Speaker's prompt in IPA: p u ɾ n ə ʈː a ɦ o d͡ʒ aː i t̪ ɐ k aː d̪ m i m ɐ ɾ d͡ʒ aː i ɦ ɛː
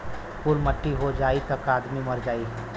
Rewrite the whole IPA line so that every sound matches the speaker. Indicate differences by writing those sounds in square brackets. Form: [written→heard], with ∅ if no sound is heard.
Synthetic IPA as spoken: p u ɾ [n→m] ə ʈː [a→i] ɦ o d͡ʒ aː i t̪ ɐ k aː d̪ m i m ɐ ɾ d͡ʒ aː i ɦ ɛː